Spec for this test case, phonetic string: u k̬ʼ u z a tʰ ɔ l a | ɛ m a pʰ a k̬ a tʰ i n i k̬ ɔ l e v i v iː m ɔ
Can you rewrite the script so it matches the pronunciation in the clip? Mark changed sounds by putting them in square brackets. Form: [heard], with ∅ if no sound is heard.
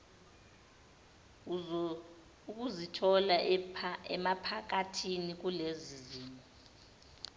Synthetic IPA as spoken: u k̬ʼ u z [i] tʰ ɔ l a | ɛ m a pʰ a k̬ a tʰ i n i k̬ [u] l e [z] i [z] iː m ɔ